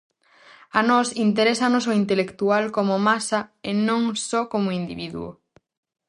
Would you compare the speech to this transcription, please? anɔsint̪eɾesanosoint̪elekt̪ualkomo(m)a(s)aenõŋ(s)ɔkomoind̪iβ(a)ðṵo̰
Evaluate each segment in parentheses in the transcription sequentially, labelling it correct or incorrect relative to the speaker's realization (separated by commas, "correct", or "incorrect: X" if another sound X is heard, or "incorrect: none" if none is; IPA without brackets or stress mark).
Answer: correct, correct, correct, incorrect: i